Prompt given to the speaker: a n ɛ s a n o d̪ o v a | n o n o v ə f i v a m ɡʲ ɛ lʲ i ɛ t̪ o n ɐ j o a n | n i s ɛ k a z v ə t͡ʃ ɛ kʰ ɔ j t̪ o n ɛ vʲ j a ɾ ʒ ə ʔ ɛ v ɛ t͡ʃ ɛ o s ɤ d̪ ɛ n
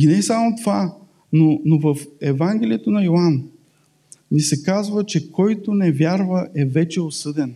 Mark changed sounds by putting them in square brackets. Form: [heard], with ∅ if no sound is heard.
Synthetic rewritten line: [i] n ɛ s a [m] o [t̪] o v a | n o n o v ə f [ɛ] v a [ŋ] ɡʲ ɛ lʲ i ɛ t̪ o n ɐ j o a n | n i s ɛ k a z v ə t͡ʃ ɛ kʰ ɔ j t̪ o n ɛ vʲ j a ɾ [v] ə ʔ ɛ v ɛ t͡ʃ ɛ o s ɤ d̪ ɛ n